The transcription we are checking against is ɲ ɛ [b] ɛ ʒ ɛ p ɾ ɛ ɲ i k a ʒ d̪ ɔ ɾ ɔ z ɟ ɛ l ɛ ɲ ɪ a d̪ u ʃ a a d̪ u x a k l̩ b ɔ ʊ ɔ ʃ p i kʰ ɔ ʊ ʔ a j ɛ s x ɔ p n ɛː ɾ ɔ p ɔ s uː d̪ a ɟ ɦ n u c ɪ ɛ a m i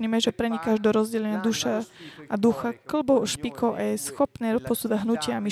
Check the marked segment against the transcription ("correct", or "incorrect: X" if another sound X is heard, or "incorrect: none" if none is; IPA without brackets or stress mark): incorrect: m